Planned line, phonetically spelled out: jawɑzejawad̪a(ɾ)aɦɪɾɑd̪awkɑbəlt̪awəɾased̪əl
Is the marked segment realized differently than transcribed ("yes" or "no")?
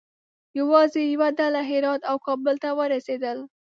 yes